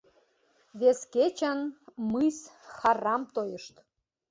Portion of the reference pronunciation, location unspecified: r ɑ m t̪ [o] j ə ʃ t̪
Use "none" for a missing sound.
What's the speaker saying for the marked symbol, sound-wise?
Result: o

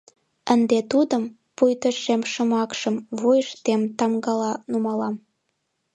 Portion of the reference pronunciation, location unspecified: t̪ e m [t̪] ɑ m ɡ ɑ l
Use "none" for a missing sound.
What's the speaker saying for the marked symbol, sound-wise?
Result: t̪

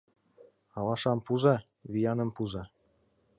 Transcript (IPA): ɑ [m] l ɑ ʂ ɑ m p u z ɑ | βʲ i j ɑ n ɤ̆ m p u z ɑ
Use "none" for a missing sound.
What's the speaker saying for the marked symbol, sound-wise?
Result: none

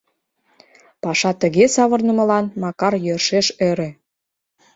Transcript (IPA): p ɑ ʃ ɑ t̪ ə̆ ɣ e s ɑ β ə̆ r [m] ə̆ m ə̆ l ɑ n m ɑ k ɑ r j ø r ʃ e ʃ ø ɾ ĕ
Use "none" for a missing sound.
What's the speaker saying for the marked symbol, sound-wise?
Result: n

